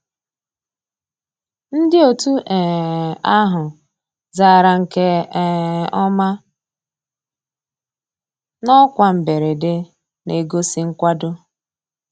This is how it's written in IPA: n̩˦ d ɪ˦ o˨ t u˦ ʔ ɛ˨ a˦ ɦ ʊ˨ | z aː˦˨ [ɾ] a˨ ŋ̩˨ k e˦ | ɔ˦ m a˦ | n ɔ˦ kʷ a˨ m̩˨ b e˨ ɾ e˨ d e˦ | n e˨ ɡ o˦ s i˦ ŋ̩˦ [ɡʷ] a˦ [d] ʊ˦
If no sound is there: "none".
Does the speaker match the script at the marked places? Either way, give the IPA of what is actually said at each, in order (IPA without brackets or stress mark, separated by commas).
ɾ, kʷ, d